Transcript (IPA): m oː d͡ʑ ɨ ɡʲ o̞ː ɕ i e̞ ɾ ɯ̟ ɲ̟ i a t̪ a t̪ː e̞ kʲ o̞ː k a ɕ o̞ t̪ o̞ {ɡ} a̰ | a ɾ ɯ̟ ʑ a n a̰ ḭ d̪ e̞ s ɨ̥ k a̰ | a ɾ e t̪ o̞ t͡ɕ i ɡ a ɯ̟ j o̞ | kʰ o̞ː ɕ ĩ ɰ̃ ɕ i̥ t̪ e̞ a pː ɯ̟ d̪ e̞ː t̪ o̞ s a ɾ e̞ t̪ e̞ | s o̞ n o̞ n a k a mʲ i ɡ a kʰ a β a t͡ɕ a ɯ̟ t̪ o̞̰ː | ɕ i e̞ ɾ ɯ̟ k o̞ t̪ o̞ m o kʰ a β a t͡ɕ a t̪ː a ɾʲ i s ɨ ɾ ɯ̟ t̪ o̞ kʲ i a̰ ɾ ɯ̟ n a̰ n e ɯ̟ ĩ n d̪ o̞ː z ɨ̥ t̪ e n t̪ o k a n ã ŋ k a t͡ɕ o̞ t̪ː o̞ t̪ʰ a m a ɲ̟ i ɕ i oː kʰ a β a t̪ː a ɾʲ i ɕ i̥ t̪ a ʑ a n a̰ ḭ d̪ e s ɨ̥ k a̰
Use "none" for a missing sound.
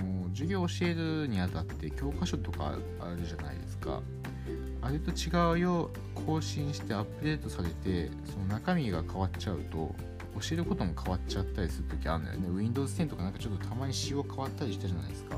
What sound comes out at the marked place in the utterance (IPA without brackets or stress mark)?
k